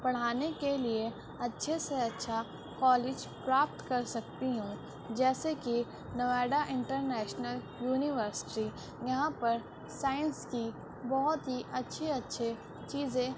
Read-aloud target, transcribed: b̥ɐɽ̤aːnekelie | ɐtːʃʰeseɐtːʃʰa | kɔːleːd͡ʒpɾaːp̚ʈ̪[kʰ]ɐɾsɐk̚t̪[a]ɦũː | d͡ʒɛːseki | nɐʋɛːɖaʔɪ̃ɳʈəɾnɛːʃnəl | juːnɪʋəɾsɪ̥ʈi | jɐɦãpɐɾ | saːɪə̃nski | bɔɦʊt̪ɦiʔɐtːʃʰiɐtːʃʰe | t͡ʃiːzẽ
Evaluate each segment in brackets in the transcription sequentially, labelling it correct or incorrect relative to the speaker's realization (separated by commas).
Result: incorrect, incorrect